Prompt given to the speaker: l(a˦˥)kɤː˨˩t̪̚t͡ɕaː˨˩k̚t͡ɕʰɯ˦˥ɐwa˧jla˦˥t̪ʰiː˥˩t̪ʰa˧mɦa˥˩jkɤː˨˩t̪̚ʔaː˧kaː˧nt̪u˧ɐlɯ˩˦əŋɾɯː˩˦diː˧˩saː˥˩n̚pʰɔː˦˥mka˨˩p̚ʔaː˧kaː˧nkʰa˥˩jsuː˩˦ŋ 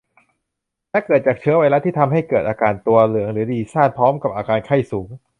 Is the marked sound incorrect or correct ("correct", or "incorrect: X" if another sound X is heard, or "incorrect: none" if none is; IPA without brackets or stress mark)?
incorrect: ɛ˦˥